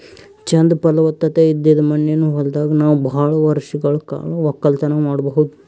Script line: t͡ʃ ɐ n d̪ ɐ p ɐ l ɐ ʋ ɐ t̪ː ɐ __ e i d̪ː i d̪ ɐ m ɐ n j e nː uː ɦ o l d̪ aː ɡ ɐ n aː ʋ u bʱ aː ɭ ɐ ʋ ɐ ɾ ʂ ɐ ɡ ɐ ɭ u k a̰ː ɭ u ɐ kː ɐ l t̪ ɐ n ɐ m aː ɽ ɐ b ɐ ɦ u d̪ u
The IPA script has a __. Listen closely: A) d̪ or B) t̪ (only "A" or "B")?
B